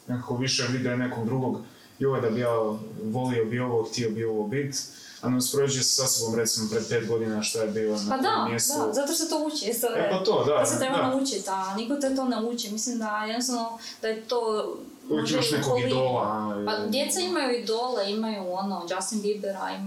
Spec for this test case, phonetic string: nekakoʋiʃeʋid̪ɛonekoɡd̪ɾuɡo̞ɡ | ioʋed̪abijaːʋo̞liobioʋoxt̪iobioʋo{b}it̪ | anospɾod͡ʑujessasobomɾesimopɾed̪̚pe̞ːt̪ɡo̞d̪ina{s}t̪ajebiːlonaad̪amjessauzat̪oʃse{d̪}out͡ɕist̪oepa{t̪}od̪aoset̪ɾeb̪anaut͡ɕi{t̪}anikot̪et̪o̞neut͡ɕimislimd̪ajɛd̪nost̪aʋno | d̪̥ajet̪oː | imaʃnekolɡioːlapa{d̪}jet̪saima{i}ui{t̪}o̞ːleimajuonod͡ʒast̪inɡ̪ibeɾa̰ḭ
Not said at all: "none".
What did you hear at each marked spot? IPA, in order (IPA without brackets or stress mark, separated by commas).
b, ʃ, t̪, t̪, t̪, d̪, j, d̪